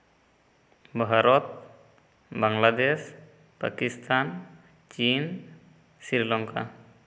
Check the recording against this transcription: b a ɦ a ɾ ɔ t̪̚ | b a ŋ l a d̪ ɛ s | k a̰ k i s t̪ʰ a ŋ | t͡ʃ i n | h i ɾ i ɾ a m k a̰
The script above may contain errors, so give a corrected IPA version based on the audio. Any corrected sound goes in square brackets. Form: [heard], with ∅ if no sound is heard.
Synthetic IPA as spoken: b a ɦ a ɾ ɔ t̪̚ | b a ŋ l a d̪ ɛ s | [p] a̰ k i s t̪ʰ a [n] | t͡ʃ i n | [s] i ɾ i [l] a [ŋ] k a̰